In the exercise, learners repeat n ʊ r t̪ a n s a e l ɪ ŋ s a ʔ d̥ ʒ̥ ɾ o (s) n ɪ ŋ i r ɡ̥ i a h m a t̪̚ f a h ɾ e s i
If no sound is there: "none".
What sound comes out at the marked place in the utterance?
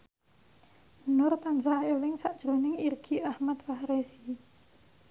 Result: none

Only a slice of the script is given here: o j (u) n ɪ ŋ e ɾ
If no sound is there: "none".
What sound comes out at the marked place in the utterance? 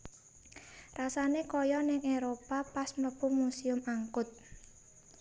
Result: ɔ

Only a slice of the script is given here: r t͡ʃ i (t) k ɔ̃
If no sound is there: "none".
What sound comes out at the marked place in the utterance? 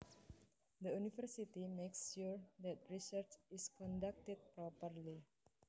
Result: s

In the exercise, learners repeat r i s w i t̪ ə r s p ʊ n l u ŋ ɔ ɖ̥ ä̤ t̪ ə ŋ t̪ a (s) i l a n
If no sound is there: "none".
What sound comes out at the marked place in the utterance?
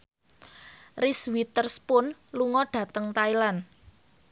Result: none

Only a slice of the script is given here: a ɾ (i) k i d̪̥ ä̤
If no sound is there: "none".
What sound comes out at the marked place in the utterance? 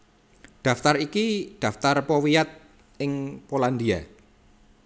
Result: i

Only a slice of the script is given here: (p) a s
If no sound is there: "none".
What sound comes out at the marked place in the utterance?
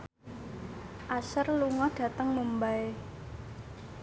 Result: ʔ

